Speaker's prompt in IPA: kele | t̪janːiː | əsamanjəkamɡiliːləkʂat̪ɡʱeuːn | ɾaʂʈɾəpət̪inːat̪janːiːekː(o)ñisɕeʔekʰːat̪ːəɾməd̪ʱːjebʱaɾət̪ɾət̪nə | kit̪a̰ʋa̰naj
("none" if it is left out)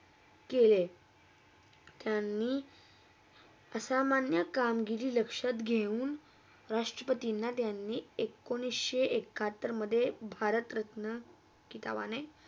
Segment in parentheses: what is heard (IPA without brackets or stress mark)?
o